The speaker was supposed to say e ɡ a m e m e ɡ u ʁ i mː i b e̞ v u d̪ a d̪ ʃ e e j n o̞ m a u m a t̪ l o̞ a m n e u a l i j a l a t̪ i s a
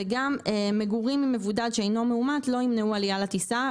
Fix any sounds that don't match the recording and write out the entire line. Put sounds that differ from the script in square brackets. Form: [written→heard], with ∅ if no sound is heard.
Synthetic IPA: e ɡ a m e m e ɡ u ʁ i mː i [b→m] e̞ v u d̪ a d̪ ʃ e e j n o̞ m [a→e] u m a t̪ l o̞ [a→i] m n e u a l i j a l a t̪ i s a